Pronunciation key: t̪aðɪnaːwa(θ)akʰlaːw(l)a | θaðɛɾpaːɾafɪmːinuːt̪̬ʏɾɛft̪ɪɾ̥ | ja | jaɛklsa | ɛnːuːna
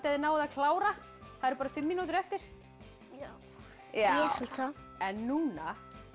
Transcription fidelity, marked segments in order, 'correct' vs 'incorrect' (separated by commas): incorrect, incorrect